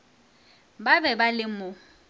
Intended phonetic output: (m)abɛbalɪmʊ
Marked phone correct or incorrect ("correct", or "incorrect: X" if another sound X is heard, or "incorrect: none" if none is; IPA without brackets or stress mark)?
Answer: incorrect: b